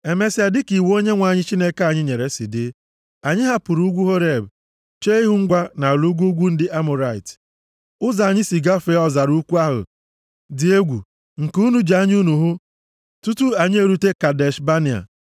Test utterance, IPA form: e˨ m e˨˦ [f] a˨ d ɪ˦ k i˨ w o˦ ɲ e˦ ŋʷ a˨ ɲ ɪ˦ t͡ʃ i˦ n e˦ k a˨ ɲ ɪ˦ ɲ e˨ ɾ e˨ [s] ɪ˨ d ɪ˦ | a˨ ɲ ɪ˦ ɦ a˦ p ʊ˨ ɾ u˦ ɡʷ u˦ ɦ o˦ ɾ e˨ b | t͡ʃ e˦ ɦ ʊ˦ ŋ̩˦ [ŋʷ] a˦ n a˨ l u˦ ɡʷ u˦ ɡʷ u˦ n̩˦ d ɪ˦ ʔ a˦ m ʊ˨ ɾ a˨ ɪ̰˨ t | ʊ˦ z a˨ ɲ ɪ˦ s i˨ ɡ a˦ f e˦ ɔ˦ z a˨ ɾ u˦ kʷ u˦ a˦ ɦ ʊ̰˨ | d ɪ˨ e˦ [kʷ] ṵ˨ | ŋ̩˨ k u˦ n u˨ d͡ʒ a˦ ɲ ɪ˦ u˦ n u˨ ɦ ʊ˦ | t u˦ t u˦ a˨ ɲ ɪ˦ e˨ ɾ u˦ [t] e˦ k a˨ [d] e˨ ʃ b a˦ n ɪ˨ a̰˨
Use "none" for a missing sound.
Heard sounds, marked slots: s, s, ɡʷ, ɡʷ, t, d

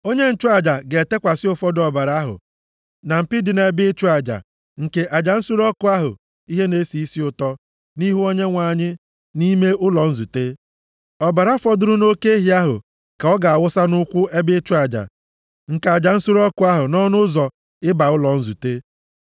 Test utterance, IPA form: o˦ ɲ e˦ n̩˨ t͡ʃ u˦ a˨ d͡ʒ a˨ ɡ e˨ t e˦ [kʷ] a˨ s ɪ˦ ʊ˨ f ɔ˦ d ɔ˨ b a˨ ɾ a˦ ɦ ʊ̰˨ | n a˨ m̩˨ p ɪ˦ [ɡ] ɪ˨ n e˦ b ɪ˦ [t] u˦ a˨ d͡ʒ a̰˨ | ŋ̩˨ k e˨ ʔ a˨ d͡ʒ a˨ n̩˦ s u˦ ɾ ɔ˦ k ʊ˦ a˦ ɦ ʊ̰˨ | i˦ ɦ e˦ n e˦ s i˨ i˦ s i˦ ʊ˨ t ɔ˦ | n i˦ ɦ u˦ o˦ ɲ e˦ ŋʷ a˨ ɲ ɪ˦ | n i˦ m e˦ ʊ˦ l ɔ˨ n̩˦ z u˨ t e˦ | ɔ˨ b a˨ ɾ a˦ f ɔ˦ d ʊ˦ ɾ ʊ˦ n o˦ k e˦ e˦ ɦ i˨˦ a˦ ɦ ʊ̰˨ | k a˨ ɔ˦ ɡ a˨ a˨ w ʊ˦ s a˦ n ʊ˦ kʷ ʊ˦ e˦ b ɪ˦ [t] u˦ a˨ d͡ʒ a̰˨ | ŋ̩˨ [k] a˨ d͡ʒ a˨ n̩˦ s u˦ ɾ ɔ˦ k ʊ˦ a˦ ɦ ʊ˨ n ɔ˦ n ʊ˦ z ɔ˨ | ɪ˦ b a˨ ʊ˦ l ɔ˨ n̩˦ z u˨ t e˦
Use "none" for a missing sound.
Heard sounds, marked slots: kʷ, d, t͡ʃ, t͡ʃ, k

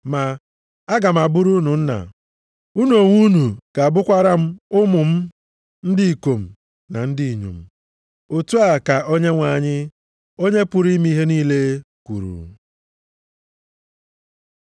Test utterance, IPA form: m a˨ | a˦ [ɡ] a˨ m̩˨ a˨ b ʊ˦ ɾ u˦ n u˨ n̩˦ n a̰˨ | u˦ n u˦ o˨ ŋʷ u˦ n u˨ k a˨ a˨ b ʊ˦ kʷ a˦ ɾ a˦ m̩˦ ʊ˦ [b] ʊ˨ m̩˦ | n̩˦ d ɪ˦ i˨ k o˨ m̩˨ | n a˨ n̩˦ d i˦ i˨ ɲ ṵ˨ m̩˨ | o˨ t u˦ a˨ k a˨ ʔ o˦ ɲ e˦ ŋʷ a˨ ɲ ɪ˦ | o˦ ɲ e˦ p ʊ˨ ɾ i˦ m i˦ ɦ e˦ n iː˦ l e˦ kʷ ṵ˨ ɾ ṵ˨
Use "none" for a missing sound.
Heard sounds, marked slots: ɡ, m

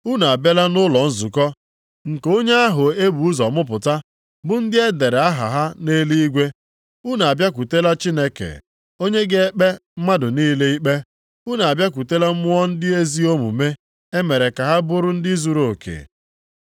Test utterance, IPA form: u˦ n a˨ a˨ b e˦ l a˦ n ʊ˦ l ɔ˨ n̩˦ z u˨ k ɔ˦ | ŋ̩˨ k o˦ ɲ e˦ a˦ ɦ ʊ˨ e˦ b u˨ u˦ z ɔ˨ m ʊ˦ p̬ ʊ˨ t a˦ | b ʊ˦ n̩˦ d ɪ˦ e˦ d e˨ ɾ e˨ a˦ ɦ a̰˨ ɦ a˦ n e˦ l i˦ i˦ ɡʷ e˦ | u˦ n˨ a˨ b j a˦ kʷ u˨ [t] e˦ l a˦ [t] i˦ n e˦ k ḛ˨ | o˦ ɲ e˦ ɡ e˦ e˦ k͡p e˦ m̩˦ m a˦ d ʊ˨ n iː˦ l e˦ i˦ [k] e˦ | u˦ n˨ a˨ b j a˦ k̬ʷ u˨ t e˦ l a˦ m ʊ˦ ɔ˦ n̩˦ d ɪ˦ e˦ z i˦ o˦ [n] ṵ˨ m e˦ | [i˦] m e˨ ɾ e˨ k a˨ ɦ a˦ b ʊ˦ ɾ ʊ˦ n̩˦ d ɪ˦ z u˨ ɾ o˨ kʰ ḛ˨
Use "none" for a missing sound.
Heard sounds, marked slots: t, t͡ʃ, k͡p, m, e˦

